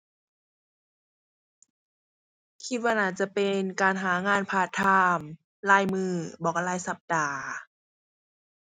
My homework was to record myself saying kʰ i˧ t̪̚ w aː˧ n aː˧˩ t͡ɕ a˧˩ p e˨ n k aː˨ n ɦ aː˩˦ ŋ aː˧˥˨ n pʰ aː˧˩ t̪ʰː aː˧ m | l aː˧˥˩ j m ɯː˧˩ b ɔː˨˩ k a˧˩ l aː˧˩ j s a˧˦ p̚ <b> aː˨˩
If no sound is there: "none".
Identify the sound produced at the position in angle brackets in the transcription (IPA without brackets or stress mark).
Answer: d